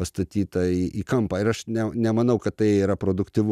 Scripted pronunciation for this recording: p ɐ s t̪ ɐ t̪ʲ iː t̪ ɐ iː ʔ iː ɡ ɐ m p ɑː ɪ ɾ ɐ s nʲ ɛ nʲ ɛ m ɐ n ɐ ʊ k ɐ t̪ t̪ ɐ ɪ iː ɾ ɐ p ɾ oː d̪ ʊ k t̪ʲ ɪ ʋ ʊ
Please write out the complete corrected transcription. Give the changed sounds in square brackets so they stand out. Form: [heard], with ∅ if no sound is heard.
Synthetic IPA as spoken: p ɐ s t̪ ɐ t̪ʲ iː t̪ ɐ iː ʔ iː [k] ɐ m p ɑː ɪ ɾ ɐ [ʃ] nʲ ɛ nʲ ɛ m ɐ n ɐ ʊ k ɐ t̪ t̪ ɐ ɪ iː ɾ ɐ p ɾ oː d̪ ʊ k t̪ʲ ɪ ʋ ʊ